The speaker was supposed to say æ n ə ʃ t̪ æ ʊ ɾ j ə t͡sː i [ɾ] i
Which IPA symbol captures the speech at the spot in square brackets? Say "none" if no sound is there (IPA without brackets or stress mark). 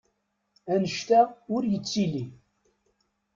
l